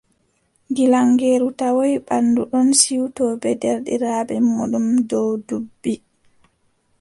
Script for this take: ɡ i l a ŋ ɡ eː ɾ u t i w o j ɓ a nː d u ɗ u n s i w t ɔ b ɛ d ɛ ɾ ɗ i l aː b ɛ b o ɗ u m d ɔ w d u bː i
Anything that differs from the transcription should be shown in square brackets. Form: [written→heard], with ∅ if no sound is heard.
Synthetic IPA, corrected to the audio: ɡ i l a ŋ ɡ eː ɾ u t [i→a] w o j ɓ a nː d u ɗ [u→ɔ] n s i w t ɔ b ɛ d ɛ ɾ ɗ i [l→ɾ] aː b ɛ [b→m] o ɗ u m d ɔ w d u bː i